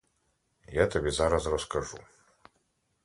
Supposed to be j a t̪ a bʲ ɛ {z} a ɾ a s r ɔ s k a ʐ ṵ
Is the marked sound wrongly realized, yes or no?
no